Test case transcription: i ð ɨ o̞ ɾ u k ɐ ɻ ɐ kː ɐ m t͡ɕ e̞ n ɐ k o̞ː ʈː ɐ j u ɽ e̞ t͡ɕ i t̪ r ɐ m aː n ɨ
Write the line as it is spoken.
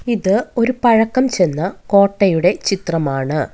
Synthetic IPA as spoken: i ð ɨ o̞ ɾ u p ɐ ɻ ɐ kː ɐ m t͡ɕ e̞ nː ɐ k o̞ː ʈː ɐ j u ɽ e̞ t͡ɕ i t̪ r ɐ m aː ɳ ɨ